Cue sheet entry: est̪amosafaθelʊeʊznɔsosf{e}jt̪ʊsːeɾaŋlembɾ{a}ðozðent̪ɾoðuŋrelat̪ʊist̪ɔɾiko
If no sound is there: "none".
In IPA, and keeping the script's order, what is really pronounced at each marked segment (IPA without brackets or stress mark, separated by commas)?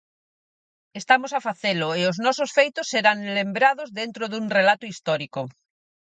e, a